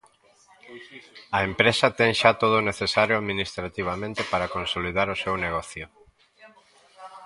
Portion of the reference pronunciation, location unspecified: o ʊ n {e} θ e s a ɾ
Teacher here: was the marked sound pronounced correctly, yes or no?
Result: yes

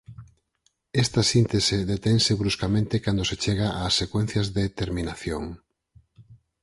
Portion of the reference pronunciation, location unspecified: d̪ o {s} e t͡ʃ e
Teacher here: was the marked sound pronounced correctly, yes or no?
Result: yes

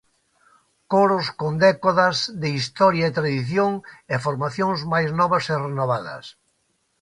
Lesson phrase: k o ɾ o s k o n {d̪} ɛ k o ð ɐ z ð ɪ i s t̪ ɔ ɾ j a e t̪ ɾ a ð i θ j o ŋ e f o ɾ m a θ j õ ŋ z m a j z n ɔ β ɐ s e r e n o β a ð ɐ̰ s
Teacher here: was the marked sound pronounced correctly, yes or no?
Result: yes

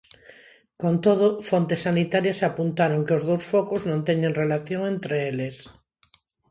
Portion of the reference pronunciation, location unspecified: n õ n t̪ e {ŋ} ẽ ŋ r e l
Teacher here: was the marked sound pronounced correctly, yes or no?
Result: no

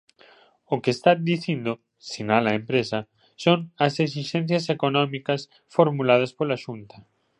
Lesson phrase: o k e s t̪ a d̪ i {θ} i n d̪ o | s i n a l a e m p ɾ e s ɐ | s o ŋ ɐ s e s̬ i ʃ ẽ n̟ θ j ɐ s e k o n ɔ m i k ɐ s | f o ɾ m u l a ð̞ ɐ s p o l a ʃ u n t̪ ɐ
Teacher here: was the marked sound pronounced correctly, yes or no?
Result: yes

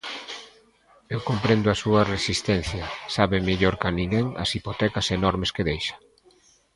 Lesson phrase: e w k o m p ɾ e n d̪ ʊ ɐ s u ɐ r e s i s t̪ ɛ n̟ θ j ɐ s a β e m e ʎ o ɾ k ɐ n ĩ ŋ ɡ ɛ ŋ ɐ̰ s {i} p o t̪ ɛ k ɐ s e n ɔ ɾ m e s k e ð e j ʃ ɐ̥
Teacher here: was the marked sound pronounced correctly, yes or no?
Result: yes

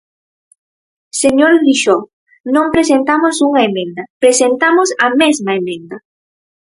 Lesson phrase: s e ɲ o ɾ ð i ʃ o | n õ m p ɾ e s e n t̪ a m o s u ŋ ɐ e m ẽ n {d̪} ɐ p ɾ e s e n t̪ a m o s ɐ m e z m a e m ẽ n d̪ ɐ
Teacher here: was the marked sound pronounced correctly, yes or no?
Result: yes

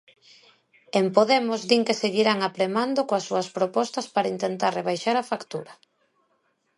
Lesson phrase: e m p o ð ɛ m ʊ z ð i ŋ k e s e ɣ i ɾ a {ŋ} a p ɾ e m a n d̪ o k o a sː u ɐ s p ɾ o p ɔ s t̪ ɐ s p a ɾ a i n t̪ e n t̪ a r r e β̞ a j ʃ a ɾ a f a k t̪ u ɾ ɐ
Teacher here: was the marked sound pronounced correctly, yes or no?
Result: yes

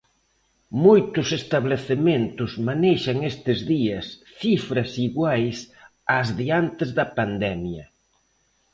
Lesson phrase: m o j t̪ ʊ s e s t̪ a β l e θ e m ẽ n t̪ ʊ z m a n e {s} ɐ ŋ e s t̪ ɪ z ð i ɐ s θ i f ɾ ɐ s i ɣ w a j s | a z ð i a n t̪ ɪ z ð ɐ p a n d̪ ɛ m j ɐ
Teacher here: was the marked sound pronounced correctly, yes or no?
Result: no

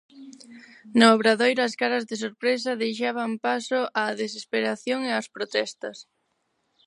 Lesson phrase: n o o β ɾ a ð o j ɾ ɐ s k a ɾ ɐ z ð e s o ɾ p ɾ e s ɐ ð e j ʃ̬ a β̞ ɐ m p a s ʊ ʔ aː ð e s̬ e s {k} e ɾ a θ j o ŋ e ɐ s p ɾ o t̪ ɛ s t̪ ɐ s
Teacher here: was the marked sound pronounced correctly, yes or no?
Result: no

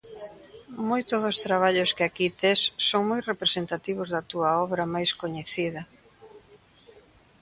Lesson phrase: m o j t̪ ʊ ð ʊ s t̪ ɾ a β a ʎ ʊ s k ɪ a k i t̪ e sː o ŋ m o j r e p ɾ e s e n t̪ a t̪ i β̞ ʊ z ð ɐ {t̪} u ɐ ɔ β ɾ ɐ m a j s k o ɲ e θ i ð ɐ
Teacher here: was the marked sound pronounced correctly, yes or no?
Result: yes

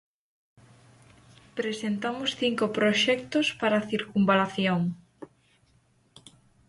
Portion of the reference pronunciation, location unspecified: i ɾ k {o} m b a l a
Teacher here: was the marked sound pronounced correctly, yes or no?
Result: no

